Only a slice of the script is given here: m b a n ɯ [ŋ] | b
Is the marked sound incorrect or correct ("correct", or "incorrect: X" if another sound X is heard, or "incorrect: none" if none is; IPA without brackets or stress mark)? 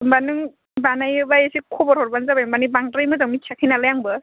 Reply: correct